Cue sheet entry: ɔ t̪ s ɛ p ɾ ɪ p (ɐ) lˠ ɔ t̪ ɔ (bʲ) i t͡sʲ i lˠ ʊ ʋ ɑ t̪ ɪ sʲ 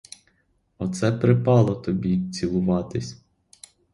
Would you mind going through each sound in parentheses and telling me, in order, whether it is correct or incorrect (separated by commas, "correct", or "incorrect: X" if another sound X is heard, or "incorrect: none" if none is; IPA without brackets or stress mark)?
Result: incorrect: ɑ, correct